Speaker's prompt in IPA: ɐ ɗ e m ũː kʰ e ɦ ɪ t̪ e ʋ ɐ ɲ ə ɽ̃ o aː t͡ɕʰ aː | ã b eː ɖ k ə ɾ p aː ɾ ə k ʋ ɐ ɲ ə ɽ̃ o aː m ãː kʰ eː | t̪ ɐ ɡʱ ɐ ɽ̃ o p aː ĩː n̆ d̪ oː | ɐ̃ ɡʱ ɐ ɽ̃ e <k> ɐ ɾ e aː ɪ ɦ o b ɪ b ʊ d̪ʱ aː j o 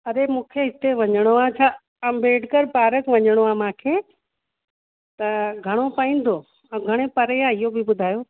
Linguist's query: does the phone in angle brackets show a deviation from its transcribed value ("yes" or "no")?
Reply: yes